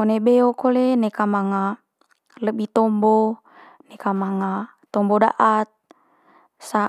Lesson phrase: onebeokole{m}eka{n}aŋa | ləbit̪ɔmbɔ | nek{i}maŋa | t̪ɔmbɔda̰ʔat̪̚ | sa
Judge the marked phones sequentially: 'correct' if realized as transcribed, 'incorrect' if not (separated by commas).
incorrect, incorrect, incorrect